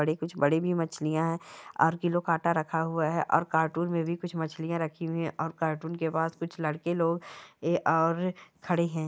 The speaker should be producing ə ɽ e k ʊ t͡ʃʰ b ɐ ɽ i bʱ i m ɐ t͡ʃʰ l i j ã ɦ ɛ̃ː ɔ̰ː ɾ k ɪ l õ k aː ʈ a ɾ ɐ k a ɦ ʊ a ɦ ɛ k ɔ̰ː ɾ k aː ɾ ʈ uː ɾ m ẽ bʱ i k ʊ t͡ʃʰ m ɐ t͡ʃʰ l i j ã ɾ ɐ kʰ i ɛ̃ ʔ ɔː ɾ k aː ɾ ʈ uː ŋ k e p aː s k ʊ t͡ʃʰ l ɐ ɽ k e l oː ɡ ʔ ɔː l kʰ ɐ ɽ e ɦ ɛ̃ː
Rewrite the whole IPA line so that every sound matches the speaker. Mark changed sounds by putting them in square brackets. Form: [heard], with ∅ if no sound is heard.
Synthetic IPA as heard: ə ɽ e k ʊ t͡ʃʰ b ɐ ɽ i bʱ i m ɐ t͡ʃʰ l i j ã ɦ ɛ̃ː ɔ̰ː ɾ k ɪ l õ k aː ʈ a ɾ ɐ [kʰ] a ɦ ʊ a ɦ ɛ [ʔ] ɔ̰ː ɾ k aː ɾ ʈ uː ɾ m ẽ bʱ i k ʊ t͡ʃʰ m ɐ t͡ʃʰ l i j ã ɾ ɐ kʰ i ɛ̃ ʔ ɔː ɾ k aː ɾ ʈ uː [n] k e p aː s k ʊ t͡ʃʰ l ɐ ɽ k e l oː ɡ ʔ ɔː [ɾ] kʰ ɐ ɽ e ɦ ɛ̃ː